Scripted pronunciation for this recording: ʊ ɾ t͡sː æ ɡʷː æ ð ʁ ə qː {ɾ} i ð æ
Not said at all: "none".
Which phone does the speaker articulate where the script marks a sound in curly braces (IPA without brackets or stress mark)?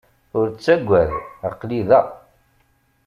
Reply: l